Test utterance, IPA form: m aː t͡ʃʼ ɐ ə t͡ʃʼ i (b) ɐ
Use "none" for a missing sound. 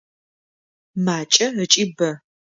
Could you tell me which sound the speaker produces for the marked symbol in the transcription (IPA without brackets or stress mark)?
b